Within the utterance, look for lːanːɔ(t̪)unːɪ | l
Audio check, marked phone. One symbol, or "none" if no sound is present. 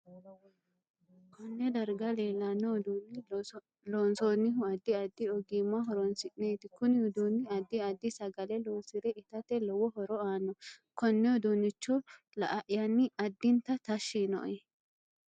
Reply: d̪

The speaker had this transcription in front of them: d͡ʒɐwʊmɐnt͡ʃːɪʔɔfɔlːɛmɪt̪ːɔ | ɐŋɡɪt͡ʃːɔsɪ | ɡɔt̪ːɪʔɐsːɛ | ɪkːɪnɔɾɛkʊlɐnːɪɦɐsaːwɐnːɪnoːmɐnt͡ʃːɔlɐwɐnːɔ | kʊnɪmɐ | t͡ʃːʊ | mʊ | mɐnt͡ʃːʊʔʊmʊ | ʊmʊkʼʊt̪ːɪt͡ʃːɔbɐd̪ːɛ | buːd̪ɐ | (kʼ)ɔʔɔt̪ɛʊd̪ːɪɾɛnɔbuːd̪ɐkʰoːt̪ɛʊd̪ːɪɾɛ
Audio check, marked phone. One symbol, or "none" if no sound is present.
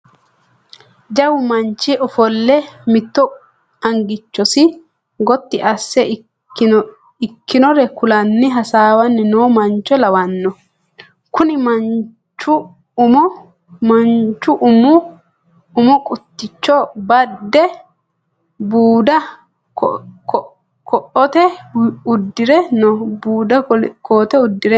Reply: k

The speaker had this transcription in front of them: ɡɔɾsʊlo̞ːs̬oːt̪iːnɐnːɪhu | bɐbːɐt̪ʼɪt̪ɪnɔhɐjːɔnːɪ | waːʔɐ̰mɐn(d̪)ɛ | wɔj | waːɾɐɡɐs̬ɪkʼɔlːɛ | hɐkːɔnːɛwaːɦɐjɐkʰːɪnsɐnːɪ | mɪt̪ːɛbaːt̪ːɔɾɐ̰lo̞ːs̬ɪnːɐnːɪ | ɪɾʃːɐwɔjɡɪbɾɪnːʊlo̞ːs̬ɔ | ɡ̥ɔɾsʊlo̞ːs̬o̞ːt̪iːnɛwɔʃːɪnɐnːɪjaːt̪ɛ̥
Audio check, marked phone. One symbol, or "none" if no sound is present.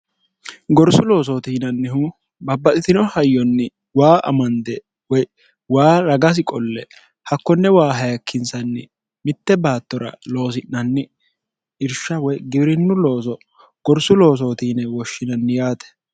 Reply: d̪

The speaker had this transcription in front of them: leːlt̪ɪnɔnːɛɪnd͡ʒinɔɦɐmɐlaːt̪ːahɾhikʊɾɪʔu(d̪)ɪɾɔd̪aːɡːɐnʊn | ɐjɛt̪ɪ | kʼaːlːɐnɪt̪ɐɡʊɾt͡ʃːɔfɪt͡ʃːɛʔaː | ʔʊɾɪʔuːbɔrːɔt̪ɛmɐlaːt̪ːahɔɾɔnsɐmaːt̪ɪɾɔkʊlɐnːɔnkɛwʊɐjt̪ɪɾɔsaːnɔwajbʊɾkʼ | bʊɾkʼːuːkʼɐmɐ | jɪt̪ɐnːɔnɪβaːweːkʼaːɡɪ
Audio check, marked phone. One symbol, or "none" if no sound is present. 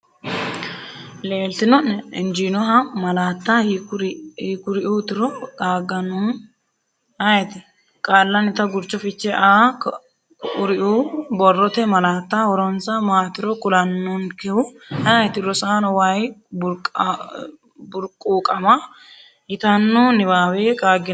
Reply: t̪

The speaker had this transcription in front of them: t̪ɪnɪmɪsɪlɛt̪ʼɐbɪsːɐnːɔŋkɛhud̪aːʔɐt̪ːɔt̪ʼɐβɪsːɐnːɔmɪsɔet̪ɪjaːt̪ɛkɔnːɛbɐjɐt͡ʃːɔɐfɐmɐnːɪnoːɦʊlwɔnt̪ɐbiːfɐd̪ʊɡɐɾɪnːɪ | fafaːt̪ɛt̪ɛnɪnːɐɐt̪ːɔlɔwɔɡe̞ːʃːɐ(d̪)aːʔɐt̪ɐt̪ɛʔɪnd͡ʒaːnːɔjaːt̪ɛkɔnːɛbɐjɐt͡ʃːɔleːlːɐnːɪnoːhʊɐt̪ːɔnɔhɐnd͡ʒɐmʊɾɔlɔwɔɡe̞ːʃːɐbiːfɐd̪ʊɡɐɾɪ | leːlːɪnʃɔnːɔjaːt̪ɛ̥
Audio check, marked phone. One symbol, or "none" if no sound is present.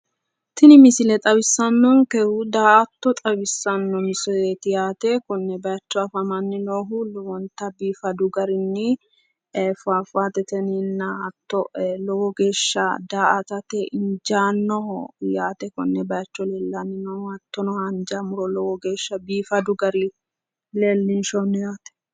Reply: d̪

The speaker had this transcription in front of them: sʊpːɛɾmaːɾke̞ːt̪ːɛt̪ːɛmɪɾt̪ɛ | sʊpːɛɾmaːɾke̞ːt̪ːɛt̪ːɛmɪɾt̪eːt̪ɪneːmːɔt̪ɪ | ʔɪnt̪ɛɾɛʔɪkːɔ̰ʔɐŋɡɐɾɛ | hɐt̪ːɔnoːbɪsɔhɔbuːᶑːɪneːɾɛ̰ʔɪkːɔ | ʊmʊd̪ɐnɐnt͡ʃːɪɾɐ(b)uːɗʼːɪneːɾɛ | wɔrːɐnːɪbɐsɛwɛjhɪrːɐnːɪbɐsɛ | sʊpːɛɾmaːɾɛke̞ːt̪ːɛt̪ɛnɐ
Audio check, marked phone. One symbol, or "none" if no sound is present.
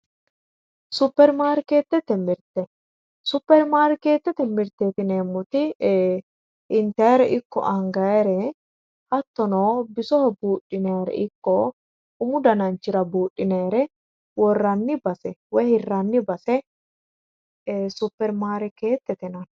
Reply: b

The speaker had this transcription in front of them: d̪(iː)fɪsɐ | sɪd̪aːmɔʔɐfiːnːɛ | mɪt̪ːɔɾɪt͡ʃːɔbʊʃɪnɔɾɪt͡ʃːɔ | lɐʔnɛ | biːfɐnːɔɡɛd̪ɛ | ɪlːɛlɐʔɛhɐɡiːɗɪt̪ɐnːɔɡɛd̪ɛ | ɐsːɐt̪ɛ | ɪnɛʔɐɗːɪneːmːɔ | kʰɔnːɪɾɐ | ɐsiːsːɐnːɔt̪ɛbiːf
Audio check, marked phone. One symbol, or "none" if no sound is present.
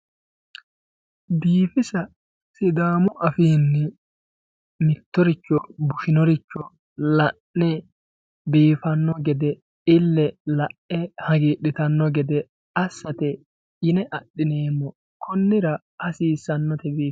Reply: iː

